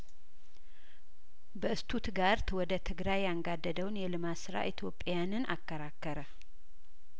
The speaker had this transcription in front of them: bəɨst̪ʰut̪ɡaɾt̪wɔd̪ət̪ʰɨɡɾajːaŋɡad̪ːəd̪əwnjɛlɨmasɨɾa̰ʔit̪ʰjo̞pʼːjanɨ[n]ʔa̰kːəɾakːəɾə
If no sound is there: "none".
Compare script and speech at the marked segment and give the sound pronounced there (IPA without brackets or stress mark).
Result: n